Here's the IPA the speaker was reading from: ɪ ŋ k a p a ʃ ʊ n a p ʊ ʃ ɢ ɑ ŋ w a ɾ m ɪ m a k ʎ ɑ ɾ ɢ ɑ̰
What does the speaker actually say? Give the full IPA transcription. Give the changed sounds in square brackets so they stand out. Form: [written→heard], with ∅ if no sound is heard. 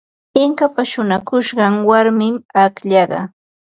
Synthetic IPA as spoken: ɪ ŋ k a p a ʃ ʊ n a [p→k] ʊ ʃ ɢ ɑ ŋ w a ɾ m ɪ m a k ʎ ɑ [ɾ→∅] ɢ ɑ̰